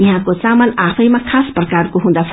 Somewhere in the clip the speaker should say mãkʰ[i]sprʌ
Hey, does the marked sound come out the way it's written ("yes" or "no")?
no